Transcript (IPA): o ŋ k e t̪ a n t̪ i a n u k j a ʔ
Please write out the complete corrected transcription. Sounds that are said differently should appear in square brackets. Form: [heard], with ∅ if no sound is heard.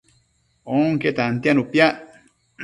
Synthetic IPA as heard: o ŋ k e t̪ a n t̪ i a n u [p] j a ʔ